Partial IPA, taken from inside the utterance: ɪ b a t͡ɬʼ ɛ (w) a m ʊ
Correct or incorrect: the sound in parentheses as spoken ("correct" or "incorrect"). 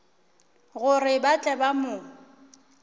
incorrect